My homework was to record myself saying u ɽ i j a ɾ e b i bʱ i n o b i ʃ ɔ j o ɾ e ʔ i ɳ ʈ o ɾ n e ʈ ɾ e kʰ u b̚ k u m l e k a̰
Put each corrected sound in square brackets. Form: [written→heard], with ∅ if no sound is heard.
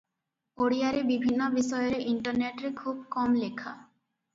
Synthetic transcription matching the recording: [u→o] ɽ i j a ɾ e b i bʱ i [n→nː] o b i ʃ ɔ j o ɾ e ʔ i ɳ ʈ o ɾ n e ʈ ɾ e kʰ u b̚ k [u→ɔ] m l e [k→kʰ] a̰